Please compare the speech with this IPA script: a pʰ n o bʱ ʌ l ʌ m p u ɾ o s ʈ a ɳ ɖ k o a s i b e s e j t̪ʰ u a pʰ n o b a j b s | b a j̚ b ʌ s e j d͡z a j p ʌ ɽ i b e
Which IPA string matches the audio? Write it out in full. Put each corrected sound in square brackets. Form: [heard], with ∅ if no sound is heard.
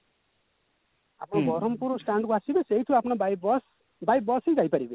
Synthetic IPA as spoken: a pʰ n o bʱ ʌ [ɾ] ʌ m p u ɾ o s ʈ a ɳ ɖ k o a s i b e s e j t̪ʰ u a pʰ n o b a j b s | b a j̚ b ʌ s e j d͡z a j p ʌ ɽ i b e